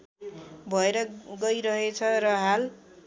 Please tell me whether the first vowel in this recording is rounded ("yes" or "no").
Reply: no